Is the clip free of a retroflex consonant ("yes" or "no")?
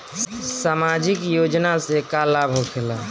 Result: yes